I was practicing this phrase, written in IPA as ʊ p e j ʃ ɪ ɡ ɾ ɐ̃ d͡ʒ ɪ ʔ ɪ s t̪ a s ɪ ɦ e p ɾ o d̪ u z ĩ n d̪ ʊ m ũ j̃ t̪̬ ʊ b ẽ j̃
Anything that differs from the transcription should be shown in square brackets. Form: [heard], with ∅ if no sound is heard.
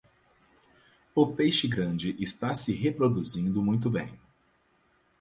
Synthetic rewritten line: ʊ p e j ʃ ɪ ɡ ɾ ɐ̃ d͡ʒ ɪ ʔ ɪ s t̪ a s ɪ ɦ e p ɾ o d̪ u z ĩ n d̪ ʊ m ũ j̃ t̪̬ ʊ b ẽ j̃